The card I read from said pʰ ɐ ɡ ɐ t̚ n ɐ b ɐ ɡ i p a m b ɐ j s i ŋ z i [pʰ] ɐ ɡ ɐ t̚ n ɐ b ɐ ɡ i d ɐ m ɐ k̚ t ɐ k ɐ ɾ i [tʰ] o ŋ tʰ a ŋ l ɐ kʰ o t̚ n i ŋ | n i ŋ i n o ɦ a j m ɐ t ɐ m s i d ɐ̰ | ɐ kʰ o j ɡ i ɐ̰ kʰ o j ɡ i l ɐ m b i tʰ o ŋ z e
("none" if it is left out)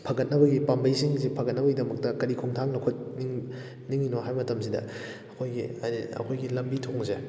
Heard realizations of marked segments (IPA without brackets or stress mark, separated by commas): pʰ, kʰ